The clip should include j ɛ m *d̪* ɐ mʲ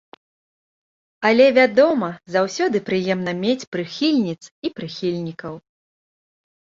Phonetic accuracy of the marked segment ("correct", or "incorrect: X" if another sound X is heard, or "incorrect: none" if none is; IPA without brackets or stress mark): incorrect: n̪